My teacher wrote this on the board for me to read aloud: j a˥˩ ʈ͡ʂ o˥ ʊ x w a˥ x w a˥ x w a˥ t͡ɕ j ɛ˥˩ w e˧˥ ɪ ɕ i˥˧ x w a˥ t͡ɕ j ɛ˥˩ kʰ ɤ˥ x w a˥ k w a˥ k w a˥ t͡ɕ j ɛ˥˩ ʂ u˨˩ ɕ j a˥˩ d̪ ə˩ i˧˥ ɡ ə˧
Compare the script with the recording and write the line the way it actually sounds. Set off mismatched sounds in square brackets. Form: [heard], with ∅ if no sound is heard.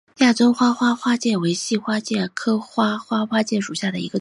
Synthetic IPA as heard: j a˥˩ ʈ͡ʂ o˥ ʊ x w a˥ x w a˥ x w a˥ t͡ɕ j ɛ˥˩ w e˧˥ ɪ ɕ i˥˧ x w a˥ t͡ɕ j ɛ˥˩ kʰ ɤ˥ x w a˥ [x] w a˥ [x] w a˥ t͡ɕ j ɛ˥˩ ʂ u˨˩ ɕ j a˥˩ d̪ ə˩ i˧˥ ɡ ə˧